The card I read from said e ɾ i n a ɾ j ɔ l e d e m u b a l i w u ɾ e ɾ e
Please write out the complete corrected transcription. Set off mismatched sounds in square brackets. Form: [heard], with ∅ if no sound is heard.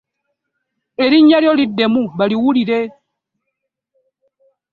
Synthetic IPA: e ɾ i [ɲ] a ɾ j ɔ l [i] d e m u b a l i w u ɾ [i] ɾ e